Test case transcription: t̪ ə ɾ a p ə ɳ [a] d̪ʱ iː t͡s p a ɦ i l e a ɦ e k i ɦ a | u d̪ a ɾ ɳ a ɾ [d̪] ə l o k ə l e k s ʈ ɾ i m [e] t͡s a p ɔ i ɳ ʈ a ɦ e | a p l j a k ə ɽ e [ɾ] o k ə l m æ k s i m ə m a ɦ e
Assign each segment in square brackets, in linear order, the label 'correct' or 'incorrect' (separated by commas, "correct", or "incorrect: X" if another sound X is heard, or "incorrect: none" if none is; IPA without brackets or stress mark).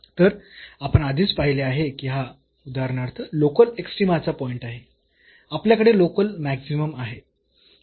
correct, incorrect: t̪, incorrect: a, incorrect: l